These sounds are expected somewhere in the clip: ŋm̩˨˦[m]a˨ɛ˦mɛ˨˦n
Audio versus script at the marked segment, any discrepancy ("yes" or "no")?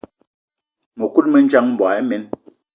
yes